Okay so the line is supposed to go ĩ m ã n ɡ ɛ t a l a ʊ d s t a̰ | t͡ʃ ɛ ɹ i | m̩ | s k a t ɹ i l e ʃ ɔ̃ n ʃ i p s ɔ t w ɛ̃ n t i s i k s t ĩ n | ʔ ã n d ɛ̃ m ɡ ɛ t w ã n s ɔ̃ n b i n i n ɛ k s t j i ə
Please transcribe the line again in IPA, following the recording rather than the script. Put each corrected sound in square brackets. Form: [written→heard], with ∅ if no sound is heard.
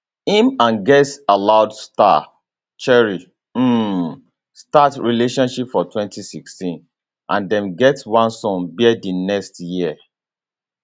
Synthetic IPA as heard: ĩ m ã n ɡ ɛ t a l a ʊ d s t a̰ | t͡ʃ ɛ ɹ i | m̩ | s [k→t] a t ɹ i l e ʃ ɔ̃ n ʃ i p [s→f] ɔ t w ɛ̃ n t i s i k s t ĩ n | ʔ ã n d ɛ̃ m ɡ ɛ t w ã n s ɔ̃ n b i [n→d] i n ɛ k s t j i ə